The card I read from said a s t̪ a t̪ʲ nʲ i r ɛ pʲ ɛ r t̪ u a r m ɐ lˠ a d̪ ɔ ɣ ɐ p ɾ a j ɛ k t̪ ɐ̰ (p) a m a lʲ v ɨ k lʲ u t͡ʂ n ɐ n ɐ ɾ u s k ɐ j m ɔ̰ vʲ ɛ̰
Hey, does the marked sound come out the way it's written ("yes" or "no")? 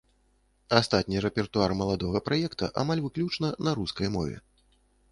no